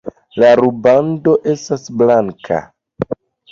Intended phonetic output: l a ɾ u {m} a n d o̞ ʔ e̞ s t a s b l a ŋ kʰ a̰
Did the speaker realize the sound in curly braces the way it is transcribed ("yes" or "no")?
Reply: no